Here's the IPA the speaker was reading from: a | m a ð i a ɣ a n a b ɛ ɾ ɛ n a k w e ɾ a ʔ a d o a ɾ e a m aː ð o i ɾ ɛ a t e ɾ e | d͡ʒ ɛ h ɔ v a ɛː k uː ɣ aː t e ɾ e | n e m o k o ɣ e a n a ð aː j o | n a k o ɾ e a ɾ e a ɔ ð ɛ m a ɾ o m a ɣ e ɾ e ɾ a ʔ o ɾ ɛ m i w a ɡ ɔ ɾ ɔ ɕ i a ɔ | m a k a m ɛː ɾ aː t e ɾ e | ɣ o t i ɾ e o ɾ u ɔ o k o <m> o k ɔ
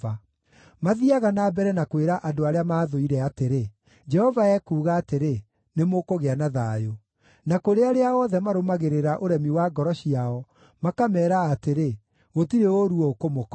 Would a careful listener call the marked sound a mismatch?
no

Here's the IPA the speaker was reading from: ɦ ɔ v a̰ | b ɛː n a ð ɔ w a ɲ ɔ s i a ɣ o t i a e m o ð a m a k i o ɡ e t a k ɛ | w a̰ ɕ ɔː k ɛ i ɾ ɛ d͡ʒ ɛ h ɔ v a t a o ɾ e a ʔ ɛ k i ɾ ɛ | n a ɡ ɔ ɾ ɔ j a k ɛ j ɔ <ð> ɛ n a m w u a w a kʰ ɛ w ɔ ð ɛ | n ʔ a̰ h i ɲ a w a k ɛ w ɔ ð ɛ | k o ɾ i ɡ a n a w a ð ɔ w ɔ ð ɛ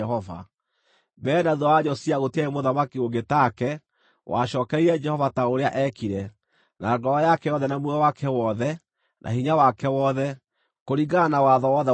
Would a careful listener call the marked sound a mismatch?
no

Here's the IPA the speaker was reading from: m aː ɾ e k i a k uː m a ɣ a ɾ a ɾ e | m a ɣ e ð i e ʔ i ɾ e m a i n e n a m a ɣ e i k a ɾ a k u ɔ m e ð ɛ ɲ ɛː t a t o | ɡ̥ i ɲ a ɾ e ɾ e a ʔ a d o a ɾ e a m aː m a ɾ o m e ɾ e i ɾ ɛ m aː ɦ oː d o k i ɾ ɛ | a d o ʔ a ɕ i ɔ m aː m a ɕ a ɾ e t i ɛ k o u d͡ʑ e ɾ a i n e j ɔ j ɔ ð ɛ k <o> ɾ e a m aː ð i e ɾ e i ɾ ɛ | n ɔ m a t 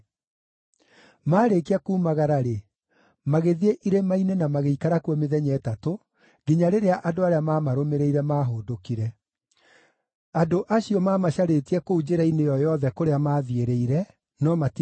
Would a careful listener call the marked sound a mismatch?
no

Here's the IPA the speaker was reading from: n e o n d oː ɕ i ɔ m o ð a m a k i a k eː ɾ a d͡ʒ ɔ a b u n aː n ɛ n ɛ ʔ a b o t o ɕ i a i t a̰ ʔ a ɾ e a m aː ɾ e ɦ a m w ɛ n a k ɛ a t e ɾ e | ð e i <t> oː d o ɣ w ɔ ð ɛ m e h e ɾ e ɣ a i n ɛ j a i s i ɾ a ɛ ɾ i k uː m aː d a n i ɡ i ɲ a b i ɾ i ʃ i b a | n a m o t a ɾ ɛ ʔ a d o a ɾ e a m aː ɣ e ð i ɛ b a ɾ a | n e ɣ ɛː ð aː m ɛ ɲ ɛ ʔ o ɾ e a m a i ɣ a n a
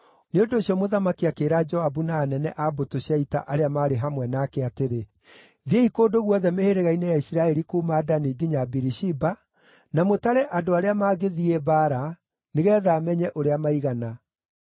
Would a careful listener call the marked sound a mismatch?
yes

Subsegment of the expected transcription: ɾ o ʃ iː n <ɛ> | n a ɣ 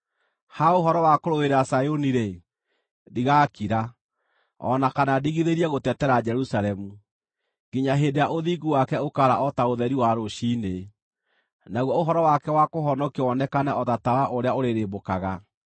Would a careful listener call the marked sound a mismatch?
yes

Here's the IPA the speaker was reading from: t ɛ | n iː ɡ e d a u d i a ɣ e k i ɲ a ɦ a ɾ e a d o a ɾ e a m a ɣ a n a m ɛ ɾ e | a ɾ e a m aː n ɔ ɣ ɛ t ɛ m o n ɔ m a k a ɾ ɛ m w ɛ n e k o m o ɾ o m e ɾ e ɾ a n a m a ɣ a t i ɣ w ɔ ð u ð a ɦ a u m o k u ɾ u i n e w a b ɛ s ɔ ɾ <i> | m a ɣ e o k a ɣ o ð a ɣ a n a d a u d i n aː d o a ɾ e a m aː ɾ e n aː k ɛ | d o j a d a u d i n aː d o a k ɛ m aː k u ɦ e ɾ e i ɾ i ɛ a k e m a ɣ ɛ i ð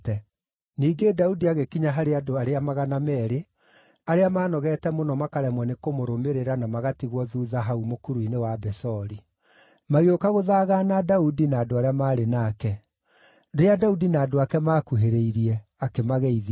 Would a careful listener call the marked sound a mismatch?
no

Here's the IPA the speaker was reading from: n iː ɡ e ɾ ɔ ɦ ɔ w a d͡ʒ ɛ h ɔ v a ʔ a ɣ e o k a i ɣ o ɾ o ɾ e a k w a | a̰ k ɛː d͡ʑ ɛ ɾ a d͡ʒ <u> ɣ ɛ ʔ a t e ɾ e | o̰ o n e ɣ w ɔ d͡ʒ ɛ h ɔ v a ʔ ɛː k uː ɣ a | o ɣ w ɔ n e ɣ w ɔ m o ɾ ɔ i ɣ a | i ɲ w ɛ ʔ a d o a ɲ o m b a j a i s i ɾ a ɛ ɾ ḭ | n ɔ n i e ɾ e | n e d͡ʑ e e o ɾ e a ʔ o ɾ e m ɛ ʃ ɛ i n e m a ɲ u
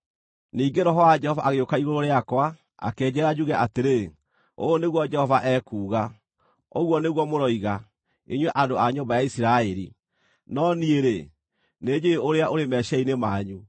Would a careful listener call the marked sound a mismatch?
no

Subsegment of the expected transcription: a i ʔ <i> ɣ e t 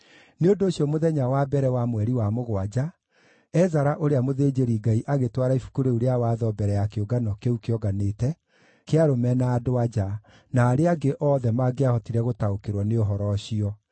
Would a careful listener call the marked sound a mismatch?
yes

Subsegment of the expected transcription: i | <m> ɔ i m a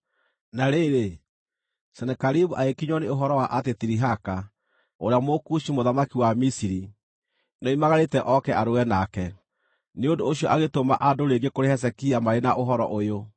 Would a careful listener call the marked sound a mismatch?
yes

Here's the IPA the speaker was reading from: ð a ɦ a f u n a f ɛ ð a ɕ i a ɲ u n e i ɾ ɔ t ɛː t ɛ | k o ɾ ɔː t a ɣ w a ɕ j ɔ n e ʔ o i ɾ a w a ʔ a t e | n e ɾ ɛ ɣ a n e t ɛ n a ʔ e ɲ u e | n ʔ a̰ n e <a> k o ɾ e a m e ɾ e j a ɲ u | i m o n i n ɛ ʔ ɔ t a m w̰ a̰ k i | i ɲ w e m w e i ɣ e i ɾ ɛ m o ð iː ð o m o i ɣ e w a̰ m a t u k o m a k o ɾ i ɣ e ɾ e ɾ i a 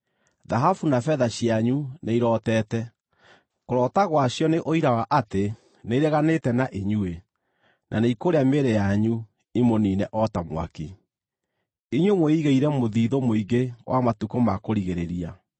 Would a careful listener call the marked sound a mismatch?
yes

